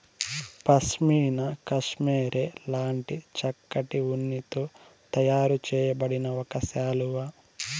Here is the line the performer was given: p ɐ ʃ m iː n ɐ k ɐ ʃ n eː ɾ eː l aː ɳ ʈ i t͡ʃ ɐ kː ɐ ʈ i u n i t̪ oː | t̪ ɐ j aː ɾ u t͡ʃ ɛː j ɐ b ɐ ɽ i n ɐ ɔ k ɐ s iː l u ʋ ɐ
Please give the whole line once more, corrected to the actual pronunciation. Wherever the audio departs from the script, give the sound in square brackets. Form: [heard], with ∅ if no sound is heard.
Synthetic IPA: p ɐ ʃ m iː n ɐ k ɐ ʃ [m] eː ɾ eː l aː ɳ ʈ i t͡ʃ ɐ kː ɐ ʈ i u [nː] i t̪ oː | t̪ ɐ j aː ɾ u t͡ʃ ɛː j ɐ b ɐ ɽ i n ɐ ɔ k ɐ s [aː] l u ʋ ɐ